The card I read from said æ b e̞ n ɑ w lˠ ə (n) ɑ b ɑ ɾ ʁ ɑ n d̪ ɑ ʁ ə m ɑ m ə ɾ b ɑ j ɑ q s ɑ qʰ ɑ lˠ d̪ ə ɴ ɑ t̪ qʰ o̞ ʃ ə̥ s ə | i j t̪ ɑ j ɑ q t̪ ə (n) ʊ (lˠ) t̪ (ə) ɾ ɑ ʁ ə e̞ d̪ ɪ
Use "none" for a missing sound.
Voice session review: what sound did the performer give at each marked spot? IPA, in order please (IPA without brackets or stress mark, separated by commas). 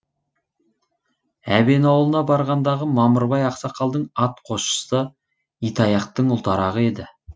n, ɴ, lˠ, ɑ